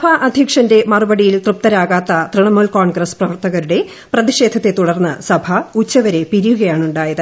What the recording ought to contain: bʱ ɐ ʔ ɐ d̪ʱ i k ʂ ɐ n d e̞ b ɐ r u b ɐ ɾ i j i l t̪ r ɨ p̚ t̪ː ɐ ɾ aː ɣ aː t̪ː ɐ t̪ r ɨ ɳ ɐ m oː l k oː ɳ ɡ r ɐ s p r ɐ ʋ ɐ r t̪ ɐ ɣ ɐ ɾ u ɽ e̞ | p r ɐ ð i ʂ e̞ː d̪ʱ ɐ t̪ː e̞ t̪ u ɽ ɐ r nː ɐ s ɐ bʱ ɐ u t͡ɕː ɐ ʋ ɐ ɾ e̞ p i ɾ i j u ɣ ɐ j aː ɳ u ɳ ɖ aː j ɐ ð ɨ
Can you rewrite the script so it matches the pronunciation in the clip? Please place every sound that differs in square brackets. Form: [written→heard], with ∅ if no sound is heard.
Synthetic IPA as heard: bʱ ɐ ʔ ɐ d̪ʱ i k ʂ ɐ n d e̞ [b→m] ɐ r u b ɐ [ɾ→ɽ] i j i l t̪ r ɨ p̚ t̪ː ɐ ɾ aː ɣ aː t̪ː ɐ t̪ r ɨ ɳ ɐ m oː l k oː ɳ ɡ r ɐ s p r ɐ ʋ ɐ r t̪ ɐ ɣ ɐ ɾ u ɽ e̞ | p r ɐ ð i ʂ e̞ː d̪ʱ ɐ t̪ː e̞ t̪ u ɽ ɐ r nː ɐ s ɐ bʱ ɐ u t͡ɕː ɐ ʋ ɐ ɾ e̞ p i ɾ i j u ɣ ɐ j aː ɳ u ɳ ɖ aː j ɐ ð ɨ